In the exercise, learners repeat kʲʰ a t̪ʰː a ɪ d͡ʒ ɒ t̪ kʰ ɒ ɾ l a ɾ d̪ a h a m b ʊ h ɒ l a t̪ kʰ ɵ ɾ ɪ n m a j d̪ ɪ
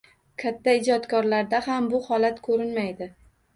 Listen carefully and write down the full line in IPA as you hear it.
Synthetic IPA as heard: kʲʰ a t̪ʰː a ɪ d͡ʒ ɒ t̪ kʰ ɒ ɾ l a ɾ d̪ a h a m b ʊ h ɒ l a t̪ kʰ ɵ ɾ ɪ n m a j d̪ ɪ